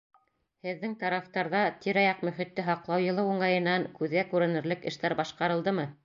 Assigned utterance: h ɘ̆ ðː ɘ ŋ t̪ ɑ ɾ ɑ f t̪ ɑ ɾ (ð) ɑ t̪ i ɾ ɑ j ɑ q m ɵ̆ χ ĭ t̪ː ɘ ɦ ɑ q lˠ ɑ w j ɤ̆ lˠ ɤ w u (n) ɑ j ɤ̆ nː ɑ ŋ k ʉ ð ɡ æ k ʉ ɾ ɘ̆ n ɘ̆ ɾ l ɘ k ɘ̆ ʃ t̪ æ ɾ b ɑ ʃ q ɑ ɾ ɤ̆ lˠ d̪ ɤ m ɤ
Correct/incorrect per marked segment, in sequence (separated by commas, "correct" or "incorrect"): correct, incorrect